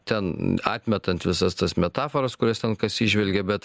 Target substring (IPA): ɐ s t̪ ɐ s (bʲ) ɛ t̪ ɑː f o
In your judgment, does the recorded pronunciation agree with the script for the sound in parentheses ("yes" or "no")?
no